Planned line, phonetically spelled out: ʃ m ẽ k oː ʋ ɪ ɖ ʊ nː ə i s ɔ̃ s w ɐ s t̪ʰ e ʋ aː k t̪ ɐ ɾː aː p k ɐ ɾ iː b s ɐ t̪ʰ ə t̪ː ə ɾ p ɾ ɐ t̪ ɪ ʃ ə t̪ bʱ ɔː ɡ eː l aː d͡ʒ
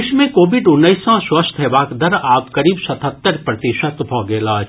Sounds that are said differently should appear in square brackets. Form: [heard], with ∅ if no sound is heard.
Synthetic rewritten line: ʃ m ẽ k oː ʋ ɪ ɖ ʊ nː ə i s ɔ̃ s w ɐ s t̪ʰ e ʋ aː k [d̪] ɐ [ɾ] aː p k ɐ ɾ iː b s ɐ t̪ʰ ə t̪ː ə ɾ p ɾ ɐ t̪ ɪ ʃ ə t̪ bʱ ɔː ɡ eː l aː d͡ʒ

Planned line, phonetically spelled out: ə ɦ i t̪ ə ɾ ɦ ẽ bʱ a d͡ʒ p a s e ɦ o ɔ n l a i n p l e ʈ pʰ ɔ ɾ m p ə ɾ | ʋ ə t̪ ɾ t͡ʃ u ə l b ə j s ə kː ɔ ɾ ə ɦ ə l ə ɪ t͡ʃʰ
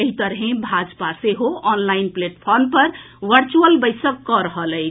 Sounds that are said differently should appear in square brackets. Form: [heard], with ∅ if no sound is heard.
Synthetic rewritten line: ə ɦ i t̪ ə ɾ ɦ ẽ bʱ a d͡ʒ p a s e ɦ o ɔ n l a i n p l e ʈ pʰ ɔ ɾ m p ə ɾ | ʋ ə [∅] ɾ t͡ʃ u ə l b ə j s ə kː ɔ ɾ ə ɦ ə l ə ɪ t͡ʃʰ

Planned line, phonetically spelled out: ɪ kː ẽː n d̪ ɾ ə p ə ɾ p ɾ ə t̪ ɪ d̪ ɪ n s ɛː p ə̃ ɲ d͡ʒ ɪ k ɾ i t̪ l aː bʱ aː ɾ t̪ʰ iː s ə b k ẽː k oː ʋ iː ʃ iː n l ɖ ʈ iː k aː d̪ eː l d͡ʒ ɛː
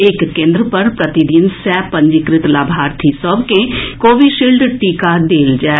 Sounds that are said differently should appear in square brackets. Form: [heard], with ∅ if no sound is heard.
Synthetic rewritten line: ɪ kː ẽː n d̪ ɾ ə p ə ɾ p ɾ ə t̪ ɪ d̪ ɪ n s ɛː p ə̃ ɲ d͡ʒ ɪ k ɾ [ɪ] t̪ l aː bʱ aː ɾ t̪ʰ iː s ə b k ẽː k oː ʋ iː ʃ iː [∅] l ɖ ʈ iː k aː d̪ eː l d͡ʒ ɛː

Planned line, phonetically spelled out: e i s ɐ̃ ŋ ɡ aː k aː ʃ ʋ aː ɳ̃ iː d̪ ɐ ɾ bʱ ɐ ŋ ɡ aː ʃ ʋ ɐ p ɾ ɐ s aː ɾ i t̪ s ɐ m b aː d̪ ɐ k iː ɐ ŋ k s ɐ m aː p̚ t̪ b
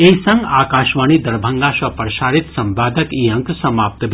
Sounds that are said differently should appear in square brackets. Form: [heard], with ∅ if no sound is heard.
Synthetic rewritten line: e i s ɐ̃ ŋ ɡ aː k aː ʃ ʋ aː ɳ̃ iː d̪ ɐ ɾ bʱ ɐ ŋ ɡ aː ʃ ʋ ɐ p ɾ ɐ [ʃ] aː ɾ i t̪ s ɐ m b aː d̪ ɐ k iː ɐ ŋ k s ɐ m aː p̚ t̪ b

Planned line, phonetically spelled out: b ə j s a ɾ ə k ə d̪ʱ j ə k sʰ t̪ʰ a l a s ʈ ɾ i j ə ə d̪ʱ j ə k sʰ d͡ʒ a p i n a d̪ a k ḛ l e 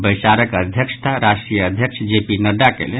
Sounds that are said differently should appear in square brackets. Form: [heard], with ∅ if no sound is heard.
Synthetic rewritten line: b ə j s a ɾ ə k ə d̪ʱ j ə k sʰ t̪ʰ a [ɾ] a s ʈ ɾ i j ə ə d̪ʱ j ə k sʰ d͡ʒ [e] p i n [ə] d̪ a k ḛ l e

